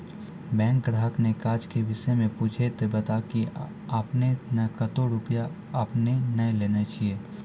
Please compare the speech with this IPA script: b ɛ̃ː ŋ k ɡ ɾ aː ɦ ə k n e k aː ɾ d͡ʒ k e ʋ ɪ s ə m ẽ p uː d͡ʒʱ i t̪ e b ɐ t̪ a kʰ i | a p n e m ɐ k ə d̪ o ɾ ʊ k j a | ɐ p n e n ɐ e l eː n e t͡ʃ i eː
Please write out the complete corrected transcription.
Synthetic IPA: b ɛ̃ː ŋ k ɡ ɾ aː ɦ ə k n e k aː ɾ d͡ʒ k e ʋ ɪ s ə m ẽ p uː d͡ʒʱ e t̪ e b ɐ t̪ a k i | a p n e n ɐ k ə t̪ o ɾ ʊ p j a | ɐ p n e n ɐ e l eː n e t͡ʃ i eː